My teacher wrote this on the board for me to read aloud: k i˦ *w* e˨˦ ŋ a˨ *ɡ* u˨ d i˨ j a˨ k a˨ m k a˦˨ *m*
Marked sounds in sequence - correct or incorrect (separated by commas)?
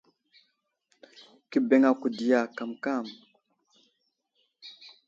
incorrect, incorrect, correct